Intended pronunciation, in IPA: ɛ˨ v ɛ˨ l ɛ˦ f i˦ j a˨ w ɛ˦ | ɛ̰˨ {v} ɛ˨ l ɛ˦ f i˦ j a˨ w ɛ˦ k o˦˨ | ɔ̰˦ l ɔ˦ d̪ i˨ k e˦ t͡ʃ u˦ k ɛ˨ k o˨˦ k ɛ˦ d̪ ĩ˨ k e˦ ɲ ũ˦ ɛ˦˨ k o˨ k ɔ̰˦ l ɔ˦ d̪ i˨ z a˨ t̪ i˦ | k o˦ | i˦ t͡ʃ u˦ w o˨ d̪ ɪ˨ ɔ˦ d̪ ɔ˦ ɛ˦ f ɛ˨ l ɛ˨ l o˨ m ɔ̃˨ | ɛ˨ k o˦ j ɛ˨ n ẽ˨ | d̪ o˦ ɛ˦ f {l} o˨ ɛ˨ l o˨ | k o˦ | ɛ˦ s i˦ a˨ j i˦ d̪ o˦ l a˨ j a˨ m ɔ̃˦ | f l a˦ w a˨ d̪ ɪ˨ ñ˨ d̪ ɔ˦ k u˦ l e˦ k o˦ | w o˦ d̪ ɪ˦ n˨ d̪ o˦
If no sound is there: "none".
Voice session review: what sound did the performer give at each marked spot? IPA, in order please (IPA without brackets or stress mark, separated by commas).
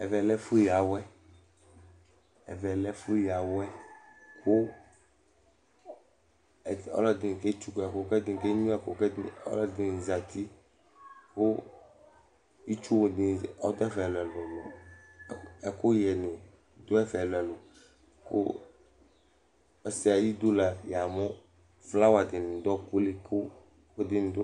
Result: v, l